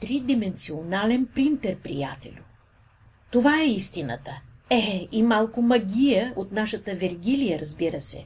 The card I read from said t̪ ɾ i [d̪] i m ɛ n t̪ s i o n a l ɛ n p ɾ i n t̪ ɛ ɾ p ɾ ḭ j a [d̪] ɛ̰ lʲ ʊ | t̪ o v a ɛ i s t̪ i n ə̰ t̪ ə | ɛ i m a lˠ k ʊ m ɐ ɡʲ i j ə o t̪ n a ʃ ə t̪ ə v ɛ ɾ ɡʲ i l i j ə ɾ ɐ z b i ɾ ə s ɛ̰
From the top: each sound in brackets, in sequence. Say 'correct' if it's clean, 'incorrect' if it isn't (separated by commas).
correct, incorrect